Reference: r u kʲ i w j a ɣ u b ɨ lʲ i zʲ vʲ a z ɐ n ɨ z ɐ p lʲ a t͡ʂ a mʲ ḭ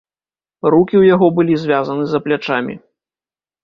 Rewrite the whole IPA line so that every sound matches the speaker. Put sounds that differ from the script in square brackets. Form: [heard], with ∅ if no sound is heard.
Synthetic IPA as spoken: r u kʲ i w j a ɣ [ɔ] b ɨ lʲ i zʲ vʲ a z ɐ n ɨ z ɐ p lʲ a t͡ʂ a mʲ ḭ